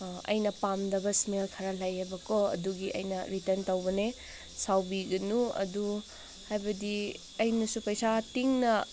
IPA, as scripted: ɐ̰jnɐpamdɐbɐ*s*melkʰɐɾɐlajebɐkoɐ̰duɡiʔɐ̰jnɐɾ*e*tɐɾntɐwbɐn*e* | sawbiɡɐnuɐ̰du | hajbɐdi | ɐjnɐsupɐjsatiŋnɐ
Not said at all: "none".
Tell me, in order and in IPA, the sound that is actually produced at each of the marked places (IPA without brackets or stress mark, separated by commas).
s, i, e